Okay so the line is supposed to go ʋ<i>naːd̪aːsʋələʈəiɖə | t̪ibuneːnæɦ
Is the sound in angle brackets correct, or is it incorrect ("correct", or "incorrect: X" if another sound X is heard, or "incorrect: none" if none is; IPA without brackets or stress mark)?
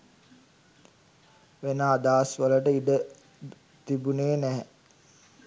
incorrect: e